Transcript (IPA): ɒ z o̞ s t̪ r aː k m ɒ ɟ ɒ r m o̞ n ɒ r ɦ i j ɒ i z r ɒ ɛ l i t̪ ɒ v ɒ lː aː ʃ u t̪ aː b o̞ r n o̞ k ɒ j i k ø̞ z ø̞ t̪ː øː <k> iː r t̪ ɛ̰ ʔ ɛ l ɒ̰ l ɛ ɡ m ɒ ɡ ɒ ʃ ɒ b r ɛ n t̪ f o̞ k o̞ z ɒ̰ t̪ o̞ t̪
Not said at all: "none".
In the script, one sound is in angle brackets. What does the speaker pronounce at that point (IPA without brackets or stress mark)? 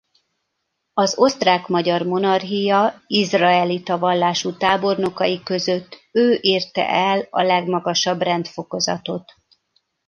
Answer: ʔ